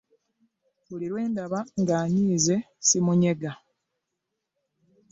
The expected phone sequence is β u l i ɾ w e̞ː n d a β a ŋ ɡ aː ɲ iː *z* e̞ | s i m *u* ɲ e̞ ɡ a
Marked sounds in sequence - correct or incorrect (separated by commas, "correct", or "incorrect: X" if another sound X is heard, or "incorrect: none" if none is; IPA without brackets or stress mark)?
correct, correct